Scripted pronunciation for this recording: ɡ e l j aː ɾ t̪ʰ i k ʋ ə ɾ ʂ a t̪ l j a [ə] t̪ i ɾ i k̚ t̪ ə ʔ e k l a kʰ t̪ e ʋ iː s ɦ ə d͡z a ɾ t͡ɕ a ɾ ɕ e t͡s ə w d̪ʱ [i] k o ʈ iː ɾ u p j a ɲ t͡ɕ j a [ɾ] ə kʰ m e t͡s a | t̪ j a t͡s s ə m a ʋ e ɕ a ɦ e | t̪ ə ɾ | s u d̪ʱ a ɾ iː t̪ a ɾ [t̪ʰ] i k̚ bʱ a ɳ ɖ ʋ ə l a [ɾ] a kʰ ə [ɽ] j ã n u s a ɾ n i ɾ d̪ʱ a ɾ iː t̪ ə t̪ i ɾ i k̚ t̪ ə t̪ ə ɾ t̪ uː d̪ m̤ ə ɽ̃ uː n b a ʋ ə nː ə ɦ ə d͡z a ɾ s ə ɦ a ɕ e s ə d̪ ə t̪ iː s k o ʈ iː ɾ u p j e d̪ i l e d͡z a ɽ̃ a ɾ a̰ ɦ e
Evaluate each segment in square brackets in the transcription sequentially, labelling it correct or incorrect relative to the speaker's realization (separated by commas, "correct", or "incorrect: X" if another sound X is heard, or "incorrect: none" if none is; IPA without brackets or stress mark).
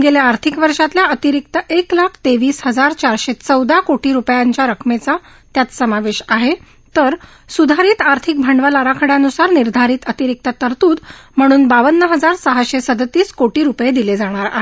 correct, incorrect: a, correct, correct, correct, correct